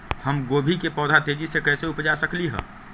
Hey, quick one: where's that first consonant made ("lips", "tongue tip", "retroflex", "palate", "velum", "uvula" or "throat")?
throat